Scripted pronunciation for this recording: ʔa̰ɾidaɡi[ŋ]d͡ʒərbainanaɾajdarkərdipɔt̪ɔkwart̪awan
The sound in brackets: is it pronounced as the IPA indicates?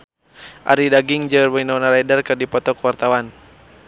yes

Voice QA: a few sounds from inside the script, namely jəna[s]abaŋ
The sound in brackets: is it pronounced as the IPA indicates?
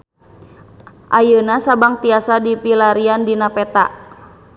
yes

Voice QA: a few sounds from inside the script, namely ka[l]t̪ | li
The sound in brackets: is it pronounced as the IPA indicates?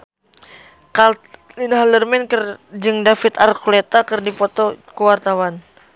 yes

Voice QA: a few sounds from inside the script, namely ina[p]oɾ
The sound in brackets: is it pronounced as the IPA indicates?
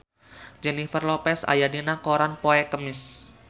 no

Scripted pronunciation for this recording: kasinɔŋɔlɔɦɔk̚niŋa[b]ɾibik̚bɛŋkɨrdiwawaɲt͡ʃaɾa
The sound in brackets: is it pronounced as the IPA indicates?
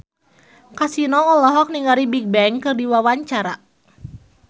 no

